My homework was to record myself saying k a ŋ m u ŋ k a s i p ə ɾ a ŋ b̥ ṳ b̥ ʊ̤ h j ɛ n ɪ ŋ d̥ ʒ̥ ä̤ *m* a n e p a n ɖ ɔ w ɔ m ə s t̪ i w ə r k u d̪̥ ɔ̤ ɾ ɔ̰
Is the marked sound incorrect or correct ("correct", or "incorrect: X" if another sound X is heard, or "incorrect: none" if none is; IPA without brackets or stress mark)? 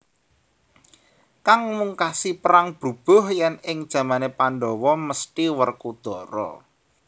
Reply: correct